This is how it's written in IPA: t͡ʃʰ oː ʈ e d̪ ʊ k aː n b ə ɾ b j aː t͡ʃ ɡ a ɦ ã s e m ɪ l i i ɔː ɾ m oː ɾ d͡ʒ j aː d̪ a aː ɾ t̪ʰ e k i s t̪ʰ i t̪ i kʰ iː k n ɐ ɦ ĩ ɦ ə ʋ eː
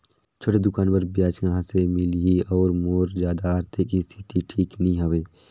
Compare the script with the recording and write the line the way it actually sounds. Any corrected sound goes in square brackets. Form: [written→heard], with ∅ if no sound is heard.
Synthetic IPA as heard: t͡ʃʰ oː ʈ e d̪ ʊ k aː n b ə ɾ b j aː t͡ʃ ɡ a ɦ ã s e m ɪ l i i ɔː ɾ m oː ɾ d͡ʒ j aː d̪ a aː ɾ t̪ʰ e k i s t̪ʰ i t̪ i [kʰ→ʈʰ] iː k n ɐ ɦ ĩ ɦ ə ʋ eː